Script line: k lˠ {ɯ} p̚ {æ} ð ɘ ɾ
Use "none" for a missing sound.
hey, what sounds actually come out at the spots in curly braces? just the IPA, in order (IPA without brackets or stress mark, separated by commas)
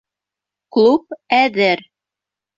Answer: u, æ